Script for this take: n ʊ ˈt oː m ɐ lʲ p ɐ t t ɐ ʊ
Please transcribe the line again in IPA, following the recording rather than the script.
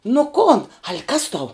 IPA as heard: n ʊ ˈk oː n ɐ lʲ k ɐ s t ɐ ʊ